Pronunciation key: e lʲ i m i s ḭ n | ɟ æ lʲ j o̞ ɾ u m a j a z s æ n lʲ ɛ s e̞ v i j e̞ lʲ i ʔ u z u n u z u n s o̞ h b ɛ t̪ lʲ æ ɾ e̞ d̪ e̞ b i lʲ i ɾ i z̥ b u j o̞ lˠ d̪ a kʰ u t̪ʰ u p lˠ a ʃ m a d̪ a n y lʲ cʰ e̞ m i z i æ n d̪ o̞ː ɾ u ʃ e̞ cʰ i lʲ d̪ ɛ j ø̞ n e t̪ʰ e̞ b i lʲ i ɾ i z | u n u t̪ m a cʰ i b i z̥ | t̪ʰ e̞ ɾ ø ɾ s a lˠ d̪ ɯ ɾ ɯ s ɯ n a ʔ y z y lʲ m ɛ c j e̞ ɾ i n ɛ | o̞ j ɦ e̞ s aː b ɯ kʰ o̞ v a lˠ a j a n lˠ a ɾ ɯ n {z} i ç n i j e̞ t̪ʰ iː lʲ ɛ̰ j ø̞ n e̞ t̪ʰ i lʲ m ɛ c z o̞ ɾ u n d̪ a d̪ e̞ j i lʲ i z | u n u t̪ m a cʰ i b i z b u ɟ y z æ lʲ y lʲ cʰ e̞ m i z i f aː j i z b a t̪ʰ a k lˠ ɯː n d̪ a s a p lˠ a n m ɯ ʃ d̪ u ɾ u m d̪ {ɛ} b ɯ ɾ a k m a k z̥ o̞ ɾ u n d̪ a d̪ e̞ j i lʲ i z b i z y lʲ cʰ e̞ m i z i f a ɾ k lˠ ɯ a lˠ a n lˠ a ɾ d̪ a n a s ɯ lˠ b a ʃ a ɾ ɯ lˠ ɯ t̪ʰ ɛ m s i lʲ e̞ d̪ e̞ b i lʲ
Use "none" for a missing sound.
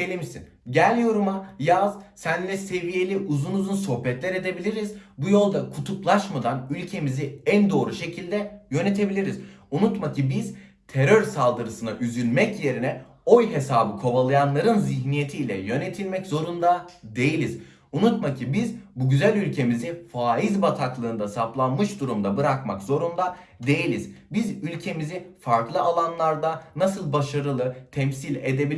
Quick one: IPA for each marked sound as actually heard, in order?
z, a

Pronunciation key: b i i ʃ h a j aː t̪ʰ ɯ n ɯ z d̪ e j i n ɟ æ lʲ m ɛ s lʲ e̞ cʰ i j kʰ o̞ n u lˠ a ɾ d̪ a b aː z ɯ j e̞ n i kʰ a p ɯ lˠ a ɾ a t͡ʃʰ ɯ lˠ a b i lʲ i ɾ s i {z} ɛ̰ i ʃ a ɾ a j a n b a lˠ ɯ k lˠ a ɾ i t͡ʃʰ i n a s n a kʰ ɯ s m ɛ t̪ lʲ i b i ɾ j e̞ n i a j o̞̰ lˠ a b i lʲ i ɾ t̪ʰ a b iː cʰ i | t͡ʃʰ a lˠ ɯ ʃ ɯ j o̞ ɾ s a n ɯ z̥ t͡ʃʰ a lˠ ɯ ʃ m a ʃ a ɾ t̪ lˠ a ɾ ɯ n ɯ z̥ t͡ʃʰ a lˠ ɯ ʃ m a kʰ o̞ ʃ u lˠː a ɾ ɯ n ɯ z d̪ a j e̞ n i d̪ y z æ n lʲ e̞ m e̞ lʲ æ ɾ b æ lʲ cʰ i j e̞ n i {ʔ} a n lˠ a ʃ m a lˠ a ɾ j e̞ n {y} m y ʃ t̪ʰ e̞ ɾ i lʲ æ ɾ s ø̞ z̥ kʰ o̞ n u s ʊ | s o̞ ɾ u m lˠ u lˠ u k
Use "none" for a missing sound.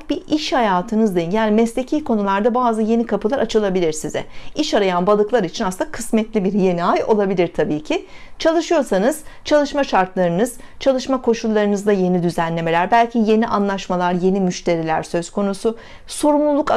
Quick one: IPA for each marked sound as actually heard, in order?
z, ʔ, i

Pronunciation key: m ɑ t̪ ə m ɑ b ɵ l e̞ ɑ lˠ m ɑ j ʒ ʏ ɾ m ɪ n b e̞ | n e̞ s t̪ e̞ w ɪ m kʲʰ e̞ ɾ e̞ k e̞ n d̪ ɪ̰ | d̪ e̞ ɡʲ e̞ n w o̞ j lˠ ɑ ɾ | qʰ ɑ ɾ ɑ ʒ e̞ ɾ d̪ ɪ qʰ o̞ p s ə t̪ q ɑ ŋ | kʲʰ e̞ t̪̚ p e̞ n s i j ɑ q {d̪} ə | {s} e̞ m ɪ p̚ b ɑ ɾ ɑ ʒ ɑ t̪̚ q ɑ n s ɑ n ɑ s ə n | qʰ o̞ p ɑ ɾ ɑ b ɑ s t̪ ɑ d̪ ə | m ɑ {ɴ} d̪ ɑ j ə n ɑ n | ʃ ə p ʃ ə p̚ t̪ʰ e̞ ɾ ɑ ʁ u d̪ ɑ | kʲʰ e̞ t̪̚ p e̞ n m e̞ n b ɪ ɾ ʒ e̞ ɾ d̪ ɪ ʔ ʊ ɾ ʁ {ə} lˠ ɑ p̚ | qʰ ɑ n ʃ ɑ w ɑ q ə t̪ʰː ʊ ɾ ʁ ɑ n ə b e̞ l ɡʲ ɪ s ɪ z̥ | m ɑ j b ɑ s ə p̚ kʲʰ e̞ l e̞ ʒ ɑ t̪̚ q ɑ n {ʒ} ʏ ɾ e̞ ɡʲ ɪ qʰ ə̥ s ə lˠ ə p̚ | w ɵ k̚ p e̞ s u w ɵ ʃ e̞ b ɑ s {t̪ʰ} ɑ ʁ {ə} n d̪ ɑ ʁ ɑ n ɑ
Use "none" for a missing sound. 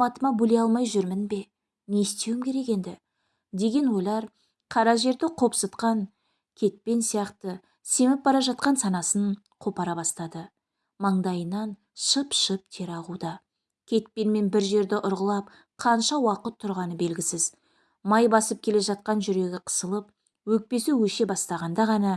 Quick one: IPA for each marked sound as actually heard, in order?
t̪, s, ɴ, ə, ʒ, t̪, ɑ

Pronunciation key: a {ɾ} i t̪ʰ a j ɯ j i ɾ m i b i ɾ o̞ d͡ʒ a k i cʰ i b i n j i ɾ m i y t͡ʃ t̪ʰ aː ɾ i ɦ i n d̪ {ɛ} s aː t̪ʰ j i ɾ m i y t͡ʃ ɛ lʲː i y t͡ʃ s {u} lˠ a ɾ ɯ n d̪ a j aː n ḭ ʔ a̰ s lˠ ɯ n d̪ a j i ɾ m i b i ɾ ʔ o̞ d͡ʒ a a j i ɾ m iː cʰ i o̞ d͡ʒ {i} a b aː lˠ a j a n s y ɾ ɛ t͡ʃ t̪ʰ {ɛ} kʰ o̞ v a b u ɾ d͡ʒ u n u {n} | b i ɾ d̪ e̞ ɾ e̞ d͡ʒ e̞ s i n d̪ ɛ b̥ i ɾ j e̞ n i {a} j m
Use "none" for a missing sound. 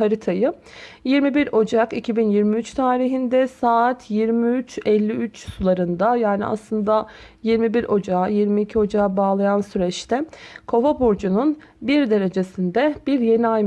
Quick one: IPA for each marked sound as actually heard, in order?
ɾ, ɛ, u, a, ɛ, n, a

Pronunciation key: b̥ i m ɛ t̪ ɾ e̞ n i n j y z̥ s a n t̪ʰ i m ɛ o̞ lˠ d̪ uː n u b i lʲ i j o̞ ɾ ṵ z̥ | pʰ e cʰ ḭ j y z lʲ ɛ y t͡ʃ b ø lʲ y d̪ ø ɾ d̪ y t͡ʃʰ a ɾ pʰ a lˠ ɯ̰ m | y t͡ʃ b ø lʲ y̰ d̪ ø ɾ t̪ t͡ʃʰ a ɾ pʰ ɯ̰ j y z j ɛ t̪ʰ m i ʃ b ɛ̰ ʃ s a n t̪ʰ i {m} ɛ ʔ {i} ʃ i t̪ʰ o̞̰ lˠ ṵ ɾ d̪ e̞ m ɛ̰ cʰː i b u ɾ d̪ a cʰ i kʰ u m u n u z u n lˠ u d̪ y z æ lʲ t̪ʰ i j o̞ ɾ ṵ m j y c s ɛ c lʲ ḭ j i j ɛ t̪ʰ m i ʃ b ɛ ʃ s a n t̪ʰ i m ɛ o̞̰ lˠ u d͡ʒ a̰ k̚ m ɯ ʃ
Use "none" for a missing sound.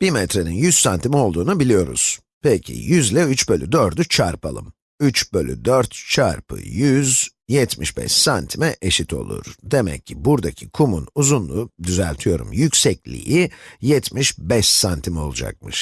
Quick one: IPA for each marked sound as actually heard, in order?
m, e

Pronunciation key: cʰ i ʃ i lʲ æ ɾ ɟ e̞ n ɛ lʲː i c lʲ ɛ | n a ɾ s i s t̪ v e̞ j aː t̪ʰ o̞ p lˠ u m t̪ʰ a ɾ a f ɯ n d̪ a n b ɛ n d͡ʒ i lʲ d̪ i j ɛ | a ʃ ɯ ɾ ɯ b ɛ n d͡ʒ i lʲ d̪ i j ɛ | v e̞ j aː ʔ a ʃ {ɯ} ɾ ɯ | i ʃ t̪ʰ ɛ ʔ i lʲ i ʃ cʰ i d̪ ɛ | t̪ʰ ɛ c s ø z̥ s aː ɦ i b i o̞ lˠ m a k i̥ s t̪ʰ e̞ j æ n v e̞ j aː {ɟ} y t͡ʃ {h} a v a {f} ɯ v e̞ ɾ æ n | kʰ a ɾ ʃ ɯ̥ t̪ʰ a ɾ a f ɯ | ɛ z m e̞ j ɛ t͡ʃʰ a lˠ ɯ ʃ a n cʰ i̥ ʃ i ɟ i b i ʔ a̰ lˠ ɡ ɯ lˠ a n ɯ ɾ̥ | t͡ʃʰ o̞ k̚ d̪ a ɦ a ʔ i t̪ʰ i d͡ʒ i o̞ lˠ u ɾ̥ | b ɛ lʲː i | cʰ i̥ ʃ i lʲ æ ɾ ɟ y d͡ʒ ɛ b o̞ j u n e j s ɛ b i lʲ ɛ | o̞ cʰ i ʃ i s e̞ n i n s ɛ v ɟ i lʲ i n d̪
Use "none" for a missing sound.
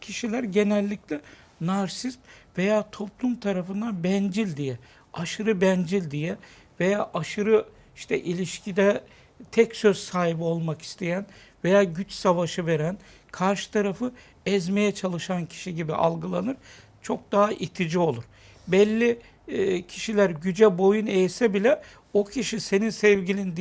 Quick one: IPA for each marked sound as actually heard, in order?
ɯ, ɟ, s, ʃ

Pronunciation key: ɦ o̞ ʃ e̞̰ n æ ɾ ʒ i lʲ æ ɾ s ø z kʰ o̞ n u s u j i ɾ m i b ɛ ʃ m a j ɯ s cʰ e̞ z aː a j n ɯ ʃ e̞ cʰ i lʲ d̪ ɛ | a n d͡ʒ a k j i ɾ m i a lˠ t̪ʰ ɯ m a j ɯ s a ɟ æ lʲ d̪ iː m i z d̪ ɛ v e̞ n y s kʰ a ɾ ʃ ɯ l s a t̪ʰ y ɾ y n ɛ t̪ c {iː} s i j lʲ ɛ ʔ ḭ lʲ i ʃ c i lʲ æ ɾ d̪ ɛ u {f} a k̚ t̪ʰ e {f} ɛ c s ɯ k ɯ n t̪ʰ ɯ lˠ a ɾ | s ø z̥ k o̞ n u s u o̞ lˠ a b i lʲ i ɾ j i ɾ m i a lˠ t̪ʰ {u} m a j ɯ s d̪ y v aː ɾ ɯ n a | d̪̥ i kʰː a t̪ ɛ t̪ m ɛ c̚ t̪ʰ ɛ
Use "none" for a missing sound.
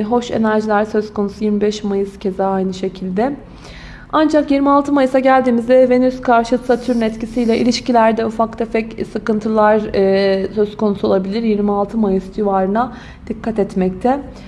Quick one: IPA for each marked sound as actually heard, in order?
i, f, f, ɯ

